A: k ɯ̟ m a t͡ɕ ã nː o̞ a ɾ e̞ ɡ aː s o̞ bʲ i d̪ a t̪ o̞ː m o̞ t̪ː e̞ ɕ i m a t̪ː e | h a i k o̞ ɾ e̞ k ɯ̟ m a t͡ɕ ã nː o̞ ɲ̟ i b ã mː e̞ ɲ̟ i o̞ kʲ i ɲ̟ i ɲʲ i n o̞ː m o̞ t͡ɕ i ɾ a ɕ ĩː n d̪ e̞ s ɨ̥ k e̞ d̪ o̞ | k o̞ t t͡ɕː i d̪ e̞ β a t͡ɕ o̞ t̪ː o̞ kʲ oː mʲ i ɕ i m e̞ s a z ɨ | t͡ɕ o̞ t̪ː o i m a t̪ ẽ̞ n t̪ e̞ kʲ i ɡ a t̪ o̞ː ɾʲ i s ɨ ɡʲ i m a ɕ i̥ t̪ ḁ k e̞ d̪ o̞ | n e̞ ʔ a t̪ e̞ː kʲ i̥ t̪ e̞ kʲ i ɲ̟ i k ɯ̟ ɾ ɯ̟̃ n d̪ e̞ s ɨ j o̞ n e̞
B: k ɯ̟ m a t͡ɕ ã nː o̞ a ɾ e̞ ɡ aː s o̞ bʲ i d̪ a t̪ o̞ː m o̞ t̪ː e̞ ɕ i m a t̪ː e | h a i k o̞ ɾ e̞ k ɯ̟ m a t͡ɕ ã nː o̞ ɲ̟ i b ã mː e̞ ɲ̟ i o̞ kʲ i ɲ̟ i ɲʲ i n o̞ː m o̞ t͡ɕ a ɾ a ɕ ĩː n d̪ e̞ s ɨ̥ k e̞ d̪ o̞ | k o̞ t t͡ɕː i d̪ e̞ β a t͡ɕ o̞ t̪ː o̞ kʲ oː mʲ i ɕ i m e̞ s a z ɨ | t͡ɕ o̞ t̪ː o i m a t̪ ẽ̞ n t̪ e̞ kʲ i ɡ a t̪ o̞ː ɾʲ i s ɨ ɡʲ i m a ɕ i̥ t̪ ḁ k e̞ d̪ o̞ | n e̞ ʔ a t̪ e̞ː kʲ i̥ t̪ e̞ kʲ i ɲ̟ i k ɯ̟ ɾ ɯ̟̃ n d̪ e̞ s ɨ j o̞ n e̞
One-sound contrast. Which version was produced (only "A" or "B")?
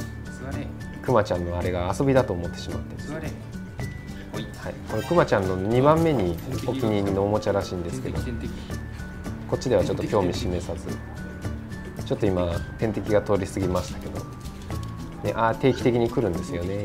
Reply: B